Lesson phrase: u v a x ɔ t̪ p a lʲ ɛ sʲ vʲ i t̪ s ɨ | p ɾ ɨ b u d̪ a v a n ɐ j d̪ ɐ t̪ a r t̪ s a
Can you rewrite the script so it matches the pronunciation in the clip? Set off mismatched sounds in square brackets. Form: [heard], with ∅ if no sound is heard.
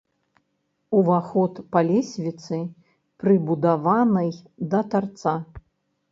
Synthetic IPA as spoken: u v a x ɔ t̪ p a lʲ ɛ sʲ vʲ i t̪ s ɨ | p ɾ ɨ b u d̪ a v a n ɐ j d̪ ɐ t̪ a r t̪ s a